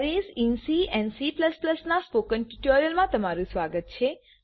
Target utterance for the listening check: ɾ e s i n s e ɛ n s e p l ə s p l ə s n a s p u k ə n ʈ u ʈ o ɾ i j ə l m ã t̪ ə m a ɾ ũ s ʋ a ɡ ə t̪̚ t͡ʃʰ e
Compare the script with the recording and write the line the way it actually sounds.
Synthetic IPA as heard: ɾ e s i n s i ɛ n s i p l ə s p l ə s n a s p o k ə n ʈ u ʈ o ɾ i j ə l m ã t̪ ə m a ɾ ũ s ʋ a ɡ ə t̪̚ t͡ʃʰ e